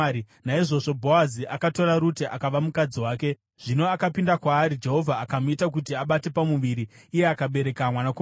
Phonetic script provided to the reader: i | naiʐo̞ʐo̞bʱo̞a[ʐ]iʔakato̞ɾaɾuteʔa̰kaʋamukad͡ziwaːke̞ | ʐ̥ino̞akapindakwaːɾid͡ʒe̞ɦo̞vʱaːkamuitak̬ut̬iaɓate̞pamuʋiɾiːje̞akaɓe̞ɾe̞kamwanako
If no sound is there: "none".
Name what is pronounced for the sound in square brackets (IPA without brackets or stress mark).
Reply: z